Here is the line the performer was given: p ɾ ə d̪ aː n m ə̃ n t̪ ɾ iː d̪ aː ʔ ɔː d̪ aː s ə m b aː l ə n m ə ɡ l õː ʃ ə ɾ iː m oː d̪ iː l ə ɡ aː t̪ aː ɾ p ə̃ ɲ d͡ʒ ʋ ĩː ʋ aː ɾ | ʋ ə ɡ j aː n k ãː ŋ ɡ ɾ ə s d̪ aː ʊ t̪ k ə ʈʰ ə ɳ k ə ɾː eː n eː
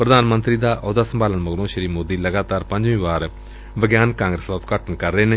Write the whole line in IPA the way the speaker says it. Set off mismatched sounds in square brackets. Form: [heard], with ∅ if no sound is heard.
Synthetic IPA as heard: p ɾ ə d̪ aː n m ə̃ n t̪ ɾ iː d̪ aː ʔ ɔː d̪ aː s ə m b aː l ə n m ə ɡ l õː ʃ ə ɾ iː m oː d̪ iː l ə ɡ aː t̪ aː ɾ p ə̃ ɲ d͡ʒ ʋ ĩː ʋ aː ɾ | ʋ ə ɡ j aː n k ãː ŋ ɡ ɾ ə s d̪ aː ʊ t̪ k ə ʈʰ ə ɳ k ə ɾː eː n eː